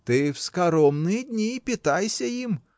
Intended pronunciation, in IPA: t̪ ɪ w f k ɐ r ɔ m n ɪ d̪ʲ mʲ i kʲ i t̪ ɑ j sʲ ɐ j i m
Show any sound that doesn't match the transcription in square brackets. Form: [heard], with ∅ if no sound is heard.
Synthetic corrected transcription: t̪ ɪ w [s] k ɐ [ɾ] ɔ m n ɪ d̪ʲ [nʲ] i [pʲ] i t̪ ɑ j sʲ ɐ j i m